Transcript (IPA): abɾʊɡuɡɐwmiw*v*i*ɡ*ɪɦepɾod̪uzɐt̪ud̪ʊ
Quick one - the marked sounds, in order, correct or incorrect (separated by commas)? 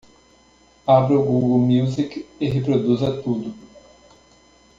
incorrect, incorrect